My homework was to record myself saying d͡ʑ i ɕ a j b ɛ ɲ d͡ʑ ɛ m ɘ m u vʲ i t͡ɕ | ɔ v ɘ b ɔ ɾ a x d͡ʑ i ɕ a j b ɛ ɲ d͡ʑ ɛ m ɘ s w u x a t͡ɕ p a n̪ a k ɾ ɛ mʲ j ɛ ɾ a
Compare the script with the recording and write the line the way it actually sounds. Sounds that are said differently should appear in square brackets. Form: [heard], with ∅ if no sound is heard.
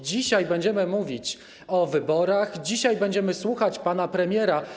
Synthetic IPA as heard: d͡ʑ i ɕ a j b ɛ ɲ d͡ʑ ɛ m ɘ m u vʲ i t͡ɕ | ɔ v ɘ b ɔ ɾ a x d͡ʑ i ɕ a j b ɛ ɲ d͡ʑ ɛ m ɘ s w u x a t͡ɕ p a n̪ a [p] ɾ ɛ mʲ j ɛ ɾ a